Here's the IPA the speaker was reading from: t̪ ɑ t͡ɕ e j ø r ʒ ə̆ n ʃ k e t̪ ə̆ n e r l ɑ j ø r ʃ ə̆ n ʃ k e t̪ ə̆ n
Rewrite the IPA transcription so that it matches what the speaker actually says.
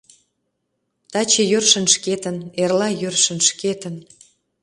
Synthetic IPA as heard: t̪ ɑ t͡ɕ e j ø r ʃ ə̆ n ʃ k e t̪ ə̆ n e r l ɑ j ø r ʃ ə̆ n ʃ k e t̪ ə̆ n